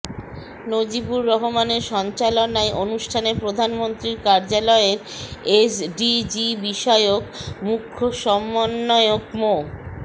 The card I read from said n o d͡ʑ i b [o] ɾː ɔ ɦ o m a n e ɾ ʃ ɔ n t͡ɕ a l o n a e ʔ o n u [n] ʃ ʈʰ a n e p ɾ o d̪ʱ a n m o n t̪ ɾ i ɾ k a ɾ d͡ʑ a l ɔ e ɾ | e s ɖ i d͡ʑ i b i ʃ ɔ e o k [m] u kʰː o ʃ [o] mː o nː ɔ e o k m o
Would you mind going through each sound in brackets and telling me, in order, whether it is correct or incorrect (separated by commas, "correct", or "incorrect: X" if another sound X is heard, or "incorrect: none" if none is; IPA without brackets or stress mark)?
incorrect: u, incorrect: none, correct, incorrect: ɔ